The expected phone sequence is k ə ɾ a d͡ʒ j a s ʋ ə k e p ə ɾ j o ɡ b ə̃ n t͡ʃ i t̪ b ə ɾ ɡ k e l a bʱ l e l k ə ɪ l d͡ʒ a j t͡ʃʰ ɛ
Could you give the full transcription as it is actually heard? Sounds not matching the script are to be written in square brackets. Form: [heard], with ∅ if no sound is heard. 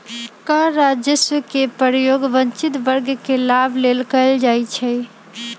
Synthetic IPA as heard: k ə ɾ a d͡ʒ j [ə] s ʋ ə k e p ə ɾ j o ɡ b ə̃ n t͡ʃ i t̪ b ə ɾ ɡ k e l a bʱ l e l k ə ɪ l d͡ʒ a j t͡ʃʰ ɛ